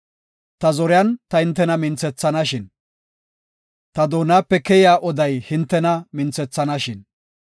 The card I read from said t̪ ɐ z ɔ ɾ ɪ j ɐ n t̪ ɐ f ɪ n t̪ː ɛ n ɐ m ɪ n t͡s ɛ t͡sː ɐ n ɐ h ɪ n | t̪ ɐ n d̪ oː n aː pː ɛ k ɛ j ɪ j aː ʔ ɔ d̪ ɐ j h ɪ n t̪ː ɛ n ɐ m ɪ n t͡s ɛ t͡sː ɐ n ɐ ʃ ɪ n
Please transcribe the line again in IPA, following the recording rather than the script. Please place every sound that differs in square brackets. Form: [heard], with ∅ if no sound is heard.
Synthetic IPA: t̪ ɐ z ɔ ɾ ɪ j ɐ n t̪ ɐ [h] ɪ n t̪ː ɛ n ɐ m ɪ n t͡s ɛ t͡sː ɐ n ɐ [ʃ] ɪ n | t̪ ɐ [∅] d̪ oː n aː pː ɛ k ɛ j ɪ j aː ʔ ɔ d̪ ɐ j h ɪ n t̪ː ɛ n ɐ m ɪ n t͡s ɛ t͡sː ɐ n ɐ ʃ ɪ n